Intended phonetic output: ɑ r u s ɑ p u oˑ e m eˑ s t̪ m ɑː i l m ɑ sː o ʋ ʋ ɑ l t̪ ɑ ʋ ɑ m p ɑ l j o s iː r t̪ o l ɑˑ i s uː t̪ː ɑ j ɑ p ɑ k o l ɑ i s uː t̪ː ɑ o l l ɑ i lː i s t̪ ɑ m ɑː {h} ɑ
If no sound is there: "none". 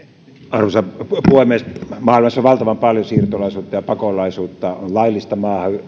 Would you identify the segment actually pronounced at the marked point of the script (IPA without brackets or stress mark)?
h